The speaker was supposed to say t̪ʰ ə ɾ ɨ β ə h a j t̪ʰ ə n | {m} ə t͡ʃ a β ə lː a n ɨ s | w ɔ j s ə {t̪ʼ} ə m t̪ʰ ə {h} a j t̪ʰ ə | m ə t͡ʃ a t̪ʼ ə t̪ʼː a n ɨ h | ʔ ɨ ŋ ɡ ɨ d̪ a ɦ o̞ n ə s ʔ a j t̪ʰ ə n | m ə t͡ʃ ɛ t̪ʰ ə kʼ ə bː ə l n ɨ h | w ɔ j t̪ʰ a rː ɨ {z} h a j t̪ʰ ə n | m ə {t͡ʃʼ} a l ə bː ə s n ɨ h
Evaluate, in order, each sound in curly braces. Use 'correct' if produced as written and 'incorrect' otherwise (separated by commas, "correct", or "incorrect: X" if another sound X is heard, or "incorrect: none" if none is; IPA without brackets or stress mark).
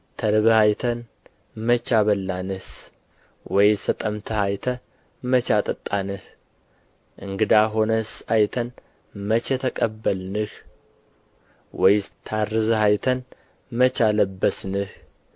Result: correct, correct, correct, correct, incorrect: t͡ʃ